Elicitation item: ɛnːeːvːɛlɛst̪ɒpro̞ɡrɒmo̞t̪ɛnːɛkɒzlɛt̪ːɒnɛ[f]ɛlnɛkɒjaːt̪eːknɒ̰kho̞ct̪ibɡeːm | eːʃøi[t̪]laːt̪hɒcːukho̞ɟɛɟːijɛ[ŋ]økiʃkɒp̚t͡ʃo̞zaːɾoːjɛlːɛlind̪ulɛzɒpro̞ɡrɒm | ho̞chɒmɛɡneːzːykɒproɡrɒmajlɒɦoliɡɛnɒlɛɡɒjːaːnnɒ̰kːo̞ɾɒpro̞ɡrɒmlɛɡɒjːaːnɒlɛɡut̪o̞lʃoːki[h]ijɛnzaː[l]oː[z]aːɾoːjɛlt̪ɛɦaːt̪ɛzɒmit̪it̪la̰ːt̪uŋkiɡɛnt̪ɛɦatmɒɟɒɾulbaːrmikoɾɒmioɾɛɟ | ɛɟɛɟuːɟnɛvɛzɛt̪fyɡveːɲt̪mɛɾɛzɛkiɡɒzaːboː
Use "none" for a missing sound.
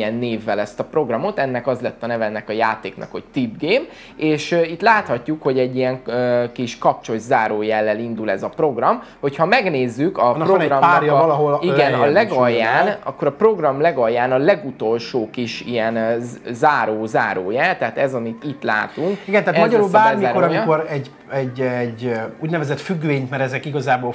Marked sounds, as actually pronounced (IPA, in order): v, t̪, ŋ, ʃ, ɾ, z

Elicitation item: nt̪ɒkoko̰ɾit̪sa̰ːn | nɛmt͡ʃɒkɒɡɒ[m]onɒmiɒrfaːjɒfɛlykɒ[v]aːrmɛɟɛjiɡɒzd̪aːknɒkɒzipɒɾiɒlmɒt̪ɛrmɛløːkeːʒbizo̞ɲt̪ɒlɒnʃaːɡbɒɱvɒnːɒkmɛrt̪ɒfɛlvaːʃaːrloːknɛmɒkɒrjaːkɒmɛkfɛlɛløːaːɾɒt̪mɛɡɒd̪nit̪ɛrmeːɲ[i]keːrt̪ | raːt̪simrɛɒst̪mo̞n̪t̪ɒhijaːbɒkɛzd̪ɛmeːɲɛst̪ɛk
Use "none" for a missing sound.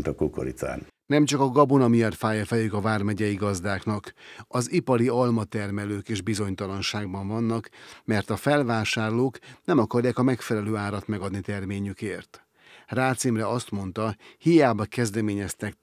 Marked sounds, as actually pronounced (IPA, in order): b, v, y

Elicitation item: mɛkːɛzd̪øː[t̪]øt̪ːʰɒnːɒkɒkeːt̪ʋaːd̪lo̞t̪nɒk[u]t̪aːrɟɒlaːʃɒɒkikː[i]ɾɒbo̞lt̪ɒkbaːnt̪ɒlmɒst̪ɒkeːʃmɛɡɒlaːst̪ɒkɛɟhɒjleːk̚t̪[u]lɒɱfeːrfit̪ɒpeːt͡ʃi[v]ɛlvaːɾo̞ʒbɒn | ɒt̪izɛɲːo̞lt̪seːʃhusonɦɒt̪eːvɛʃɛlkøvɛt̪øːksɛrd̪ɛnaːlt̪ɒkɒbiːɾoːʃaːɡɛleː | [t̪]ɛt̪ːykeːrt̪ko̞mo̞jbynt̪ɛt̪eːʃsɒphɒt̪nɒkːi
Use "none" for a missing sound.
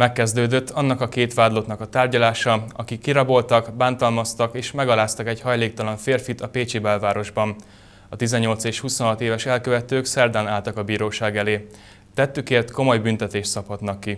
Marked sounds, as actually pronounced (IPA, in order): d̪, ɒ, i, ɒ, b, t̪

